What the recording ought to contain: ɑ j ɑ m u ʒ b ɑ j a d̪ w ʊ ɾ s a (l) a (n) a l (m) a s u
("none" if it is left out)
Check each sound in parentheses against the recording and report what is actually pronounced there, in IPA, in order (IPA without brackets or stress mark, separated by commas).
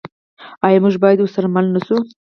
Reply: ɾ, m, n